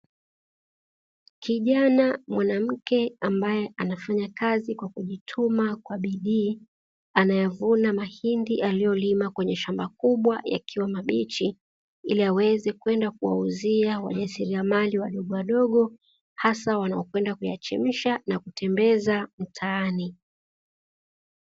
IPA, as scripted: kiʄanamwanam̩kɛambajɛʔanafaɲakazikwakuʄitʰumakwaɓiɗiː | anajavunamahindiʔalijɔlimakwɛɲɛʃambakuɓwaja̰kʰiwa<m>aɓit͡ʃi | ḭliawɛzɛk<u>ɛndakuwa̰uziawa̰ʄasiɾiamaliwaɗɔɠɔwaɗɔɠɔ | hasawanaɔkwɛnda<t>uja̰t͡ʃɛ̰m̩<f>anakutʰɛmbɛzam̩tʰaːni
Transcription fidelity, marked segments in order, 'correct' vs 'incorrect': correct, incorrect: w, incorrect: k, incorrect: ʃ

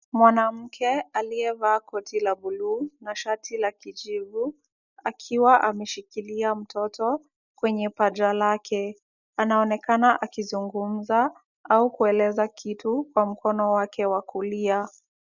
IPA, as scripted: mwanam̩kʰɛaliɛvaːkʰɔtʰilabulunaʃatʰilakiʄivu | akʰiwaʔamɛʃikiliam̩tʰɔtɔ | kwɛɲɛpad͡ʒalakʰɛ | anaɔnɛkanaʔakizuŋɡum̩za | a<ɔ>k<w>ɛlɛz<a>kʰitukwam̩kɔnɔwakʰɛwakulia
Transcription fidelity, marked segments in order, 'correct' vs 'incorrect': incorrect: u, incorrect: u, correct

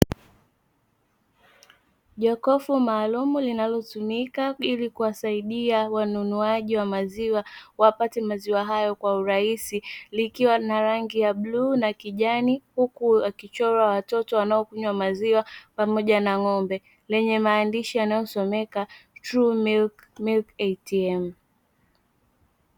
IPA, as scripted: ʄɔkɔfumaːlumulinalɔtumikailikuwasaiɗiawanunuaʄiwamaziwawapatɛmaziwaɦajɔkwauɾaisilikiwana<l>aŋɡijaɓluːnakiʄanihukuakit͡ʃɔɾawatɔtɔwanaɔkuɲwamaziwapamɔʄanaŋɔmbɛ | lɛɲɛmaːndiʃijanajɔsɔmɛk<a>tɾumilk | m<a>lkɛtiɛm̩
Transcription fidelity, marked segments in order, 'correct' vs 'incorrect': incorrect: ɾ, correct, incorrect: i

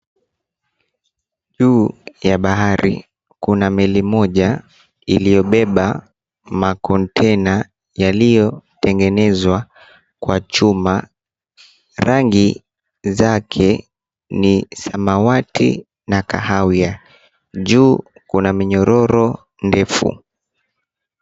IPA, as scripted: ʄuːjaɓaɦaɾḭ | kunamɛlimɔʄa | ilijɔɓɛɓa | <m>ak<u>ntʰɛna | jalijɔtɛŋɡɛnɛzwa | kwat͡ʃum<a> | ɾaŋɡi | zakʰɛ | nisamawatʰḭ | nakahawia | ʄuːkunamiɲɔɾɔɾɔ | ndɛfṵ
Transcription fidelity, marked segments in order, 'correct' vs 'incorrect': correct, incorrect: ɔ, correct

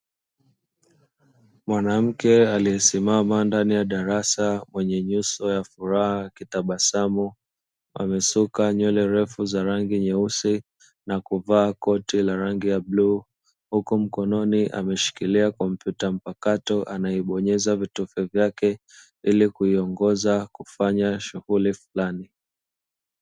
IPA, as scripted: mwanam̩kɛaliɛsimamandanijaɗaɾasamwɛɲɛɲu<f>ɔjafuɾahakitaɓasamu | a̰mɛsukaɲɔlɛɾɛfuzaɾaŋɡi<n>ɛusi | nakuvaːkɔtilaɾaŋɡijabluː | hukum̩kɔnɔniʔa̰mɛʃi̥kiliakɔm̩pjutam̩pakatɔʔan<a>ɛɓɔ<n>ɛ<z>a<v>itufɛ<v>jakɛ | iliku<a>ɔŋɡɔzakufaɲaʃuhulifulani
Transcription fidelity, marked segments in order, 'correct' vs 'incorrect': incorrect: s, incorrect: ɲ, correct, incorrect: ɲ, correct, correct, correct, incorrect: i

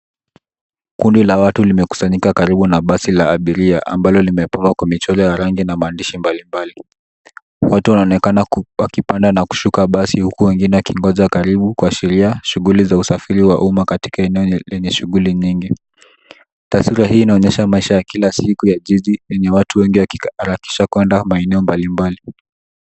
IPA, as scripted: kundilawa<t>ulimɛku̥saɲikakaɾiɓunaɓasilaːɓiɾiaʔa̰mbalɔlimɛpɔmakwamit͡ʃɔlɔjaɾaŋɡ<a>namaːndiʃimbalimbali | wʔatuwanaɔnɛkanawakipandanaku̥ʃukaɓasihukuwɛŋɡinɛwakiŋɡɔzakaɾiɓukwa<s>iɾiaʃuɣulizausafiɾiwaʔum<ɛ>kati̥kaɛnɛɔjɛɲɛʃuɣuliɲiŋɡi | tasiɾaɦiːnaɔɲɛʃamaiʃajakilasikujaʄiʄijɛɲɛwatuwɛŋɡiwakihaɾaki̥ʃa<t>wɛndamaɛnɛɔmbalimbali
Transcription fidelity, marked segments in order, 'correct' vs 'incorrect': correct, incorrect: i, incorrect: ʃ, incorrect: a, incorrect: k

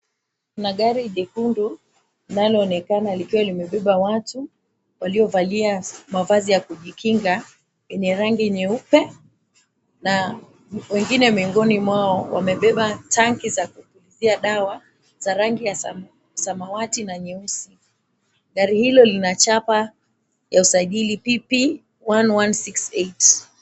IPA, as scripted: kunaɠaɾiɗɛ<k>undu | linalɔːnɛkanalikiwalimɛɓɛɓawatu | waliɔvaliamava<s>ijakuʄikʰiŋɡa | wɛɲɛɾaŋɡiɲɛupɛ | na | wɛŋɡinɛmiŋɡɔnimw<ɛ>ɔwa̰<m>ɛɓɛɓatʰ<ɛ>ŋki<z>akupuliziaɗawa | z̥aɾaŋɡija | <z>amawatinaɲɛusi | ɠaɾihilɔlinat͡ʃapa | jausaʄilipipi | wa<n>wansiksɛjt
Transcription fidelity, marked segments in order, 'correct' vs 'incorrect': correct, incorrect: z, incorrect: a, correct, incorrect: a, correct, incorrect: s, correct

